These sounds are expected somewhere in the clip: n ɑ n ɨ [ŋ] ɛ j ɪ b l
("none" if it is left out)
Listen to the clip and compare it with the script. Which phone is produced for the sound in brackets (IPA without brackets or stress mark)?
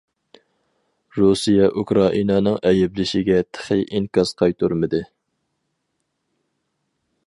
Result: ŋ